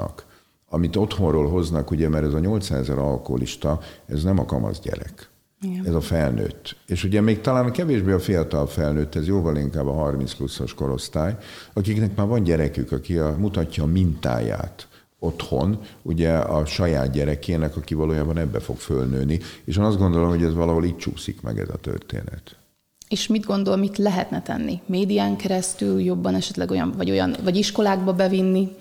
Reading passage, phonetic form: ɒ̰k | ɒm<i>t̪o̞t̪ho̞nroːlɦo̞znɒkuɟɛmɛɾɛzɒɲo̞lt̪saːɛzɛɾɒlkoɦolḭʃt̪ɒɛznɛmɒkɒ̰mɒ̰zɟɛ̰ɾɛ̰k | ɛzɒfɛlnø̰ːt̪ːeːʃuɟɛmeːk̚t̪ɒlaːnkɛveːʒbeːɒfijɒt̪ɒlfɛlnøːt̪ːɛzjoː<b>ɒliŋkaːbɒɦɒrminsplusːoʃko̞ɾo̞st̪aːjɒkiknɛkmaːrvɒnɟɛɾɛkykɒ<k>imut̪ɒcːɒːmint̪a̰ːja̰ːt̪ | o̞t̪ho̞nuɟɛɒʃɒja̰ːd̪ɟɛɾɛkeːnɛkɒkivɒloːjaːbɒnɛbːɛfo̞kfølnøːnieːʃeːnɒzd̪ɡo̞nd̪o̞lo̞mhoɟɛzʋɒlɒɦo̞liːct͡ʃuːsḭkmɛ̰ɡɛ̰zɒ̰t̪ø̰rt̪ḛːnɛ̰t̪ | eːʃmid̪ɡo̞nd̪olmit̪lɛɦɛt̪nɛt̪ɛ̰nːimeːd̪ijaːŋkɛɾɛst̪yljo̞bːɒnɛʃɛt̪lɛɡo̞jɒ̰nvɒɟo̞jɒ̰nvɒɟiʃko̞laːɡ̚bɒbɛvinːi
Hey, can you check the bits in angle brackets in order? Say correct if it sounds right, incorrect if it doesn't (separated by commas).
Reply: correct, incorrect, correct